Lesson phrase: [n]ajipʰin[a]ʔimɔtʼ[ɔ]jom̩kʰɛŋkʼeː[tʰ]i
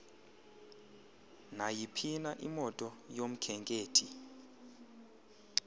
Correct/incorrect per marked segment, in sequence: correct, correct, correct, correct

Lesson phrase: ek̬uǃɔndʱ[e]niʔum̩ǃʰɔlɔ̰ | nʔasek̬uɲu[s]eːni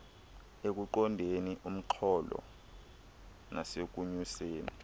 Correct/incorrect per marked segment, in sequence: correct, correct

